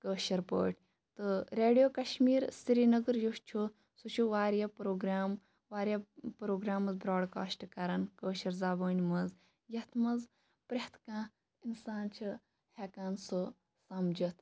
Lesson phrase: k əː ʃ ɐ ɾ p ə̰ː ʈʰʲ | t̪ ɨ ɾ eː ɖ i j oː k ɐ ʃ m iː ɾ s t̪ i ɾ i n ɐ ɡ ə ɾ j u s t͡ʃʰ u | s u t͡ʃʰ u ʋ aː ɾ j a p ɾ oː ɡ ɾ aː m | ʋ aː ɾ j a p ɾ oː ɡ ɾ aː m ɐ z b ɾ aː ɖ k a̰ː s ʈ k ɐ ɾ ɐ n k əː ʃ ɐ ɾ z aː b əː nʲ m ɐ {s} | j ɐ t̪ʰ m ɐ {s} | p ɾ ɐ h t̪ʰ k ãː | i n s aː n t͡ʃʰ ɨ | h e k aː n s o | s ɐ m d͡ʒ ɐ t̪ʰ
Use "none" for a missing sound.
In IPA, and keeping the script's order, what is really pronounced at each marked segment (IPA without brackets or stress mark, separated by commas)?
z, z